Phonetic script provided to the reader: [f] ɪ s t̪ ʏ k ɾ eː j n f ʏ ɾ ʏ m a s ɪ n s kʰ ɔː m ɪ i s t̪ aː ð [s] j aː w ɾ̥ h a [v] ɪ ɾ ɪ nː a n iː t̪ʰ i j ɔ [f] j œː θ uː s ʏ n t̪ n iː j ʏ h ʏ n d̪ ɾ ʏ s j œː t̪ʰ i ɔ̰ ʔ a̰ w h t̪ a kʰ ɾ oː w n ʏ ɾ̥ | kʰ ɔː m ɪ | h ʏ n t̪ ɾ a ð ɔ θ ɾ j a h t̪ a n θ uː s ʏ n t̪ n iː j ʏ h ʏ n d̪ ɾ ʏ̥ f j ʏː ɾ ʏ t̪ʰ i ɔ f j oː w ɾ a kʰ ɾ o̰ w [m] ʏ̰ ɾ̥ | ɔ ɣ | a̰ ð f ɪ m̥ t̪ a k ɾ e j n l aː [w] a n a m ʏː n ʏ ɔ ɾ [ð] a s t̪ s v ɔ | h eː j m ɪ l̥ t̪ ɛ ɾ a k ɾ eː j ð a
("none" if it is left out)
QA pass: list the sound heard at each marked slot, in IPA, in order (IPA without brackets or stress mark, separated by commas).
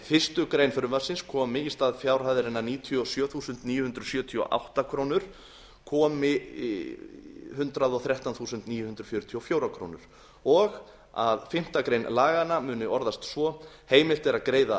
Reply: f, f, ð, s, n, ɣ, ð